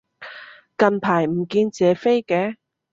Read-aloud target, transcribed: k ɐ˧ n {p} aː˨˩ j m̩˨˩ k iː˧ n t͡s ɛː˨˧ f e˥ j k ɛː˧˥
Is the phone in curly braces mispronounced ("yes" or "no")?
yes